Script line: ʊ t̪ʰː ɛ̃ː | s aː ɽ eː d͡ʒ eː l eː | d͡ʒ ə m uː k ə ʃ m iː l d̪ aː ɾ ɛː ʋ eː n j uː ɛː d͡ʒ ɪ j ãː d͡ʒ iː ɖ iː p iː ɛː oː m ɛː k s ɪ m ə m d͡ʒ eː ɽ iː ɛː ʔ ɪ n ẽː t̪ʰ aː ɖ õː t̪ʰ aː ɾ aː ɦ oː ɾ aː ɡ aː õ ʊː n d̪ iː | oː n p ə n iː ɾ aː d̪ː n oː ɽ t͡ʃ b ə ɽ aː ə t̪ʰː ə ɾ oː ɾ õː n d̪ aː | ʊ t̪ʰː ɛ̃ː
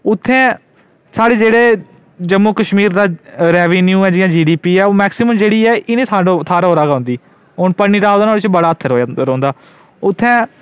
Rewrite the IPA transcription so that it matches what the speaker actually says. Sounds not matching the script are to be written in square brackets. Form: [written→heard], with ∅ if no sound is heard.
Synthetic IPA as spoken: ʊ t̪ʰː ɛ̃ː | s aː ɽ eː d͡ʒ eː [l→ɽ] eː | d͡ʒ ə m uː k ə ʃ m iː [l→ɾ] d̪ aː ɾ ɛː ʋ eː n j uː ɛː d͡ʒ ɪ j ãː d͡ʒ iː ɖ iː p iː ɛː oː m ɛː k s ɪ m ə m d͡ʒ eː ɽ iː ɛː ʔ ɪ n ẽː t̪ʰ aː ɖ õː t̪ʰ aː ɾ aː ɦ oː ɾ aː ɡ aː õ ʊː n d̪ iː | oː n p ə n iː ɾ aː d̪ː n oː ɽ t͡ʃ b ə ɽ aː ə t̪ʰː ə ɾ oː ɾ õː n d̪ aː | ʊ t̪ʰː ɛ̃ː